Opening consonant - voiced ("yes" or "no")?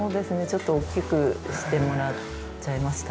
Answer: yes